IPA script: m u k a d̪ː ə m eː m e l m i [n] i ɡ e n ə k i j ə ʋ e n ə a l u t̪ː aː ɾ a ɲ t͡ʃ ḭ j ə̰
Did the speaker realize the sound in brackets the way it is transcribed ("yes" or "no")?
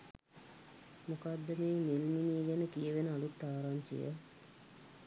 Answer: yes